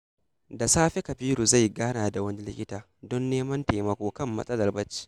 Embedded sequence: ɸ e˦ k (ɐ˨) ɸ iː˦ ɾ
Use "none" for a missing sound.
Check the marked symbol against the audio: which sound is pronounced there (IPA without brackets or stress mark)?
ɐ˨